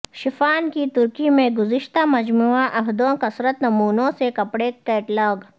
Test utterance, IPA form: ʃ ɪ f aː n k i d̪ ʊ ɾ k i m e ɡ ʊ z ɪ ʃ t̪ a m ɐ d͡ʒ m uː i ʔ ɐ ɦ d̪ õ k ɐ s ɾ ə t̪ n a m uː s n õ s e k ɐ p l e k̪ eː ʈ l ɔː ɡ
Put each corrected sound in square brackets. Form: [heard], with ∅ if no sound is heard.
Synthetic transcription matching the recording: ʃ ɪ f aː n k i [t̪] ʊ ɾ k i m [ẽ] ɡ ʊ z ɪ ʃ t̪ a m ɐ d͡ʒ m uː [a] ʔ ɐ ɦ d̪ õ k ɐ s ɾ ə t̪ n [ɐ] m uː [∅] n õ s e k ɐ p [ɽ] e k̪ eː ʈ l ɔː ɡ